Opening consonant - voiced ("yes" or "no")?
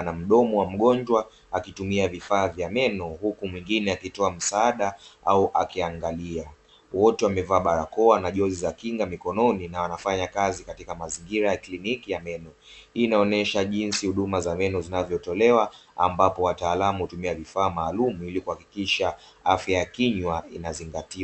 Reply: yes